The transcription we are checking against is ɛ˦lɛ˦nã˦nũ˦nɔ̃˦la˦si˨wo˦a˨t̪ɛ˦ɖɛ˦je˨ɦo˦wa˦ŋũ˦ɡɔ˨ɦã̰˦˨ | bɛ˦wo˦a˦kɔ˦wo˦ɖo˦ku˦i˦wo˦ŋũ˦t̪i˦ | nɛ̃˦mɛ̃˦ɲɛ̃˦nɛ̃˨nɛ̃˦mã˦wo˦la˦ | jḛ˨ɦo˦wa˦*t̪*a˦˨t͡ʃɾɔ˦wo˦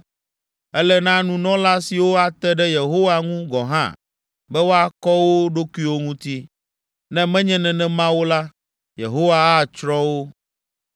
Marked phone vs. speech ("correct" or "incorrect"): incorrect